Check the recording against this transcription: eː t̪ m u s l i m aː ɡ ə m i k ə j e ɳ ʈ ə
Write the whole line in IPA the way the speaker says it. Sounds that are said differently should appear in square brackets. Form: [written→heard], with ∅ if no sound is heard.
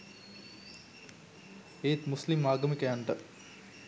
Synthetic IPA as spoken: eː t̪ m u s l i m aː ɡ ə m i k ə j [e→a] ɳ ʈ ə